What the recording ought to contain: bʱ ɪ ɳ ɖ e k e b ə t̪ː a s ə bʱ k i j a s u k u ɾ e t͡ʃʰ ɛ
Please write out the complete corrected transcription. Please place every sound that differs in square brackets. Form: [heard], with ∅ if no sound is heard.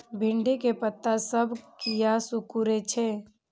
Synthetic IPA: bʱ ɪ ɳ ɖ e k e [p] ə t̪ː a s ə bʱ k i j a s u k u ɾ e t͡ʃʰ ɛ